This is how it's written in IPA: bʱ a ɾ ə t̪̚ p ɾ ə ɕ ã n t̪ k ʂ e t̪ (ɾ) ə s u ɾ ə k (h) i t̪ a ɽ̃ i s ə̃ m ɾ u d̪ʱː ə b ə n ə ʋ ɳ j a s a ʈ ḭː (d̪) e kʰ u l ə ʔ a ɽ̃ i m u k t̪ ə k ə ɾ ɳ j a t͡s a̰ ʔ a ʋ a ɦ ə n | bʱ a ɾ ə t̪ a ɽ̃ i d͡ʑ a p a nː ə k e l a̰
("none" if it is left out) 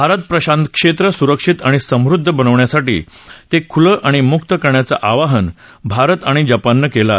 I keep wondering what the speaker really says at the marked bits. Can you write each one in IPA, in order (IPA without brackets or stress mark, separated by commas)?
ɾ, ʂ, t̪